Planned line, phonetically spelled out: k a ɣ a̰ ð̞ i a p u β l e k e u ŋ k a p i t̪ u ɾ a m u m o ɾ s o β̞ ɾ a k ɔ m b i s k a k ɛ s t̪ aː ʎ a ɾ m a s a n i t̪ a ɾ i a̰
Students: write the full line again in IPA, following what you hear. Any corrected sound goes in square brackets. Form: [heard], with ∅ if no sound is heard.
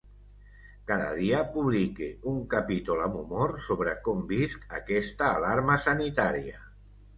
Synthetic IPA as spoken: k a [ð] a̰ ð̞ i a p u β l [i] k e u ŋ k a p i t̪ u [l] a m u m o ɾ s o β̞ ɾ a k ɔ m b i s k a k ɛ s t̪ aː [l] a ɾ m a s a n i t̪ a ɾ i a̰